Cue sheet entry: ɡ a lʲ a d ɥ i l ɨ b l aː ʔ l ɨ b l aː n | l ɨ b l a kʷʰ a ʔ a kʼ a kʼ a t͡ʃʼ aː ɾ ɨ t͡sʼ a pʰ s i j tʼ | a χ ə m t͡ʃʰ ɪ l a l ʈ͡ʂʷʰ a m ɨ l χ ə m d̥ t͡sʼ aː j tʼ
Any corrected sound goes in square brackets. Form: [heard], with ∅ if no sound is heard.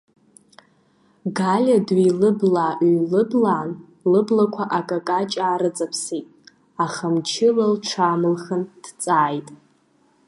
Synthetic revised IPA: ɡ a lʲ a d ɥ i l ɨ b l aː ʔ l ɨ b l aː n | l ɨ b l a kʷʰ a ʔ a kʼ a kʼ a t͡ʃʼ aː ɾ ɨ t͡sʼ a pʰ s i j tʼ | a χ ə m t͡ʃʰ ɪ l a l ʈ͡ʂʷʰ a m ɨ l χ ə [n] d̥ t͡sʼ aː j tʼ